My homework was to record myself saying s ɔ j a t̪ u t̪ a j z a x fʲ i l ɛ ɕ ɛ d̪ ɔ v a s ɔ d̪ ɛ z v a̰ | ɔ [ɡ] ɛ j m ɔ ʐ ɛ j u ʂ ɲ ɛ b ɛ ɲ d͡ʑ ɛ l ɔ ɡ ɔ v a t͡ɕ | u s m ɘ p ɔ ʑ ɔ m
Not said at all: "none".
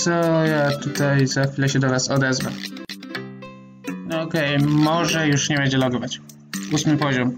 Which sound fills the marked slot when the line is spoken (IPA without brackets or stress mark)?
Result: k